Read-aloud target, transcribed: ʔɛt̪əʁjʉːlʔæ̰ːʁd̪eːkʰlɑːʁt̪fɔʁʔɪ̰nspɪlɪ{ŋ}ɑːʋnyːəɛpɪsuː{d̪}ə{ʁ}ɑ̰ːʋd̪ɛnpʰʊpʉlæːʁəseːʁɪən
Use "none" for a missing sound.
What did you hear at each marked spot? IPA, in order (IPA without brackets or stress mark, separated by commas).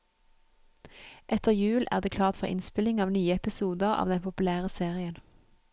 ŋ, d̪, ʁ